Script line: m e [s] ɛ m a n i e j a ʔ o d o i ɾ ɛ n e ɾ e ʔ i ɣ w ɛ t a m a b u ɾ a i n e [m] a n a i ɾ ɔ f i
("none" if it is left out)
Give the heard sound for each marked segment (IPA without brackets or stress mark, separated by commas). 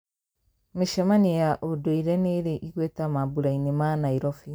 ʃ, m